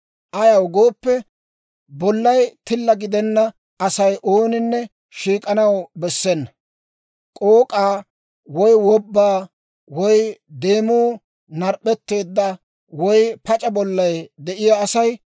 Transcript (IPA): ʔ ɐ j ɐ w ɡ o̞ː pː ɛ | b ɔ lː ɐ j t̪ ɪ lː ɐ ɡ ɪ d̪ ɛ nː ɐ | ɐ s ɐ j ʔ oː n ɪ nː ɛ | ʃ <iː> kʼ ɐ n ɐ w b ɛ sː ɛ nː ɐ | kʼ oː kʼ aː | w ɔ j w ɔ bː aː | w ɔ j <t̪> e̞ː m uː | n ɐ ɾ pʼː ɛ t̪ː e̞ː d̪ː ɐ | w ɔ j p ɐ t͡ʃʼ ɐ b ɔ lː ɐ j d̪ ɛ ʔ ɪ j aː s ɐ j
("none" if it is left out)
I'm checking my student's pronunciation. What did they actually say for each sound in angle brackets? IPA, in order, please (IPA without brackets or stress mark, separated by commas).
iː, d̪